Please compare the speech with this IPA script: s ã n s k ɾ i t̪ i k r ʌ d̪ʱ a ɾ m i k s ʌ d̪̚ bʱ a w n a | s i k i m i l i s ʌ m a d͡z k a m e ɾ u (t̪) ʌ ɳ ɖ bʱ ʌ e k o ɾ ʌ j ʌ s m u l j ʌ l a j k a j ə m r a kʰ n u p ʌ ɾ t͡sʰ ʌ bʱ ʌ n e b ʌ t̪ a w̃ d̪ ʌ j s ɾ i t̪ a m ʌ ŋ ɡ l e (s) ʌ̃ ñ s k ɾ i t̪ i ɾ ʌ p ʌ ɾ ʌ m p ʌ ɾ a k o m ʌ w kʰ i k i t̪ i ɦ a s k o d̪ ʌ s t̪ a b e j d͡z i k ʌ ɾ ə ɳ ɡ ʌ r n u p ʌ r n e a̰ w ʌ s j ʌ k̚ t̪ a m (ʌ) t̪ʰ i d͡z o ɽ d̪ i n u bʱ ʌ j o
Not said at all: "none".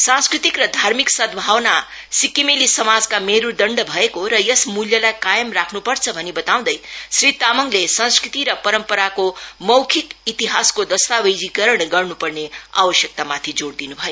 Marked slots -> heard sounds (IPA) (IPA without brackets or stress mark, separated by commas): d̪, s, a